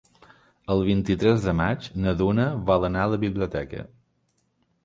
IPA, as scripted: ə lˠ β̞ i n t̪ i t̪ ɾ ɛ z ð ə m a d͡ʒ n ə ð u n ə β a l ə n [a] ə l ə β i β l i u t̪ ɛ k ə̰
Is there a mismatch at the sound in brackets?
no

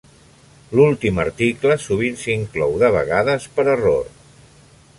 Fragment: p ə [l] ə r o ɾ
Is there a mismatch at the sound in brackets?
yes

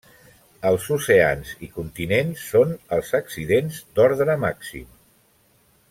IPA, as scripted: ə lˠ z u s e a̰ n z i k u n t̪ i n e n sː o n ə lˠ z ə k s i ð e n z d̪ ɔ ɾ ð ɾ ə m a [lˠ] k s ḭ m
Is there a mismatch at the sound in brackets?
yes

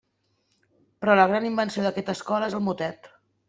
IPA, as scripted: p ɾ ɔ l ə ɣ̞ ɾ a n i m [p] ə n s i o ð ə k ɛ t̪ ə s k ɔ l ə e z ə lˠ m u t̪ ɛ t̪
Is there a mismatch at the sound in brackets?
yes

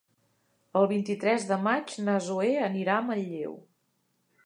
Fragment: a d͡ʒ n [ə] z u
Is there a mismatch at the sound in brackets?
no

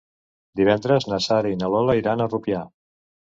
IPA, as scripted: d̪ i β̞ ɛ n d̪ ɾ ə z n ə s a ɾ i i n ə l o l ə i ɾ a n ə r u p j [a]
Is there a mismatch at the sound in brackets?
no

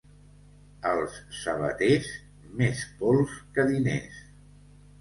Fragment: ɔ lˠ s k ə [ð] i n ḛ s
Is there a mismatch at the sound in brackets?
no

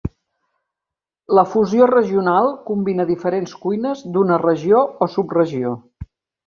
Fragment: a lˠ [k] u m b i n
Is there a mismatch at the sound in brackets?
no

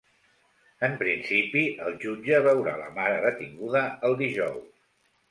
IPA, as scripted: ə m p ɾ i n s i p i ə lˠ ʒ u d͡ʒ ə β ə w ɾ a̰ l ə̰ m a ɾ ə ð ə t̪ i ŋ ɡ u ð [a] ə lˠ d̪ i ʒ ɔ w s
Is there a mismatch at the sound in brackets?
yes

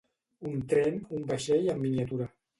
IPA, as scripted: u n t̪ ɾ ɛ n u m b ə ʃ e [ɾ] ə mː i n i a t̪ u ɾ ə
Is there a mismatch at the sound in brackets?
yes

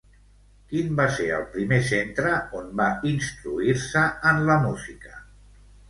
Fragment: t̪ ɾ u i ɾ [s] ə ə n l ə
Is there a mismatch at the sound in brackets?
no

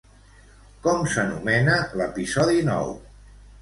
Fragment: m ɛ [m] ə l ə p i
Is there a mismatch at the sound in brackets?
yes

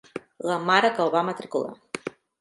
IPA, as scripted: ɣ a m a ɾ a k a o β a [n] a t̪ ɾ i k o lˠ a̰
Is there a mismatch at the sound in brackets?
yes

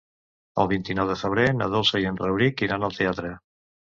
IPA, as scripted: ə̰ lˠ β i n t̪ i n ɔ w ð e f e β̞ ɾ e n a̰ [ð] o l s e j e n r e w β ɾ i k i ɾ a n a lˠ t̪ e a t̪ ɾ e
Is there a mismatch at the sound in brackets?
no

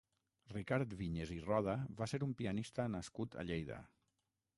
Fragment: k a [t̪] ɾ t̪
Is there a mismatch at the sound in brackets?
yes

